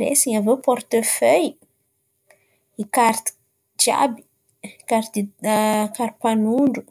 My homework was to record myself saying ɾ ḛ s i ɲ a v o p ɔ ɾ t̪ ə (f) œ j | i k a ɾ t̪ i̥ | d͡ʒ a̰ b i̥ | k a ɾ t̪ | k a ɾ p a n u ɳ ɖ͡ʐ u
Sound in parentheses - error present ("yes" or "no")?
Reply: no